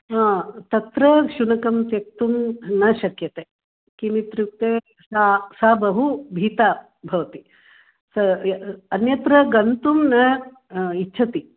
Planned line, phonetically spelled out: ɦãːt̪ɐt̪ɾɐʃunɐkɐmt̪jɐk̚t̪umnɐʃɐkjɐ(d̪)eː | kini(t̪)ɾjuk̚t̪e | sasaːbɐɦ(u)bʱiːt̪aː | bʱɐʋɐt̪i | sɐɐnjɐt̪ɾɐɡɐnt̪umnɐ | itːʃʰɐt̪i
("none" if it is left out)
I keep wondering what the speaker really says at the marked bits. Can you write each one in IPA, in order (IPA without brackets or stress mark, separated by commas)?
t̪, t̪, u